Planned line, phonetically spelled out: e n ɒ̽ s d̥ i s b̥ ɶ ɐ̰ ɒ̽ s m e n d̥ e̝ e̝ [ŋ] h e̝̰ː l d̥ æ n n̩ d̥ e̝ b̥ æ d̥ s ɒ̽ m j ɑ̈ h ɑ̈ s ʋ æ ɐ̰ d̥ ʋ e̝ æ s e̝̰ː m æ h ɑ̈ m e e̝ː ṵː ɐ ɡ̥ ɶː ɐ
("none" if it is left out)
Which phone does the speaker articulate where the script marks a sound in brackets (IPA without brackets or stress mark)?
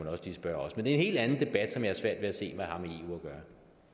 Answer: n